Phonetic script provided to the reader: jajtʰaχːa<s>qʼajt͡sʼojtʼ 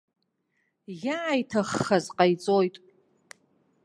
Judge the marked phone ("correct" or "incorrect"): incorrect